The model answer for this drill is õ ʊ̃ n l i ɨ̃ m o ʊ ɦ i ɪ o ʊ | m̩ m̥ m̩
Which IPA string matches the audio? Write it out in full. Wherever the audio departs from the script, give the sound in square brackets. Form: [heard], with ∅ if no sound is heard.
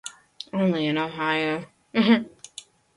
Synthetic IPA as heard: õ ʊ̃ n l i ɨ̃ [n] o ʊ ɦ [a] ɪ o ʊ | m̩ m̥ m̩